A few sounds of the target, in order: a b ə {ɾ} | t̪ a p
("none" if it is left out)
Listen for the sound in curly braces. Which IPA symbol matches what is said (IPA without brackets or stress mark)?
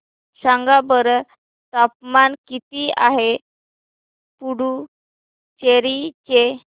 ɾ